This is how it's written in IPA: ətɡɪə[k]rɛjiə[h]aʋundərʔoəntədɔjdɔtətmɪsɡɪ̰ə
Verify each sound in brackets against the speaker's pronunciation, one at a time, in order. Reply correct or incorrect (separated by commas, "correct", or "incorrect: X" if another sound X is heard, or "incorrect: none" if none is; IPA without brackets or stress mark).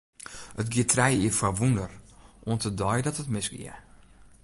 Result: incorrect: t, incorrect: f